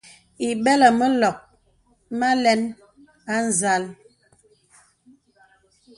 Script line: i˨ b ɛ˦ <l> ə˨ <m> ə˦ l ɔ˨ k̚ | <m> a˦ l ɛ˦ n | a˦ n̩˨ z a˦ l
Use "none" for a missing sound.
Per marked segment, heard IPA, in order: l, m, m

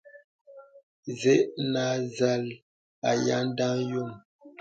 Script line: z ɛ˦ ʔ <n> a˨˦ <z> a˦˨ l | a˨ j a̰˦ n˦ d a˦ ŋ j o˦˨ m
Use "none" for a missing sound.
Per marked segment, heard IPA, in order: n, z

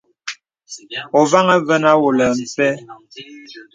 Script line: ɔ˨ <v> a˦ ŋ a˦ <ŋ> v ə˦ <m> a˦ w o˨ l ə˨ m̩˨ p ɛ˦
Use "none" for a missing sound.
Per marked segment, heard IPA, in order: v, none, n

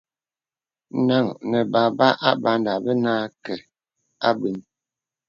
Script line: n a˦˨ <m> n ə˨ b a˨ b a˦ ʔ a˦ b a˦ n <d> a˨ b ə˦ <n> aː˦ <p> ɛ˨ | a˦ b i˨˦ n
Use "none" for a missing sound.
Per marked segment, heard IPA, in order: ŋ, d, n, k

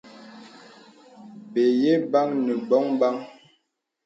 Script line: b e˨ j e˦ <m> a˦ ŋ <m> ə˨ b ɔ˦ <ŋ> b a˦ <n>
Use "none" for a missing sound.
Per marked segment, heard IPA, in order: b, n, ŋ, ŋ

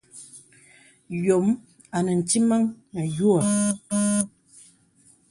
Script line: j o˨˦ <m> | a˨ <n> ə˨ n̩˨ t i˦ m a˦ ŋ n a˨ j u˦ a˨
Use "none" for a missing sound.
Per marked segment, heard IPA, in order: m, n

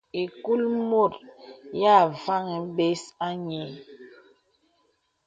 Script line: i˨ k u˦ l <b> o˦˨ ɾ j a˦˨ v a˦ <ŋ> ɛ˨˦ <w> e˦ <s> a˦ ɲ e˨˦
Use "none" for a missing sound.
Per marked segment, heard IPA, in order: m, ŋ, b, s

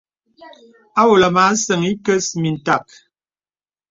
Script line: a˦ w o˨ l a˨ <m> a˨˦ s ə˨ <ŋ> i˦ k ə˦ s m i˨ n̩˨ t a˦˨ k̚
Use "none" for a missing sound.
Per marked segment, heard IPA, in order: m, ŋ

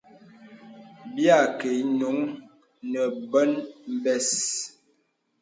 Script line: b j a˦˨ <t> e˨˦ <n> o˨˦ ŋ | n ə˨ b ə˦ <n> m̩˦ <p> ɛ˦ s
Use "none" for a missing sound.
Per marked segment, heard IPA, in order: k, n, n, b

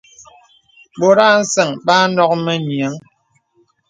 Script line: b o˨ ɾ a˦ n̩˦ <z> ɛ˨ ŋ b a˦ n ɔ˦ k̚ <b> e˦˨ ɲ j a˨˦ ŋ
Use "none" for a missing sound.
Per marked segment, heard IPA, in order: s, m

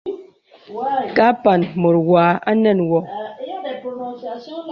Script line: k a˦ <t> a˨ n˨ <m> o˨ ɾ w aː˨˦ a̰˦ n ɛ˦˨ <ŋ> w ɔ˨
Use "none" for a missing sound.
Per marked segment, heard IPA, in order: p, m, n

